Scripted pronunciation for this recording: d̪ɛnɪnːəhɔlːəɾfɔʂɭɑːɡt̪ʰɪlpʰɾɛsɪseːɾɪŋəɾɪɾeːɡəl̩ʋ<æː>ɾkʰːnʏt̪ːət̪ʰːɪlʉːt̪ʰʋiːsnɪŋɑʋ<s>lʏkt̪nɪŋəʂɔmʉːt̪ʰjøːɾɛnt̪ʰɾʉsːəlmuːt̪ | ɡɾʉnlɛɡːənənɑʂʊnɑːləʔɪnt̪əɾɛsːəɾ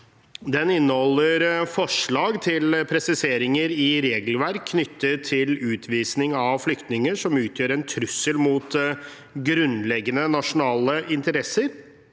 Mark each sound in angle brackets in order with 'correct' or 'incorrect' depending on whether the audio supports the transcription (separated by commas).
incorrect, incorrect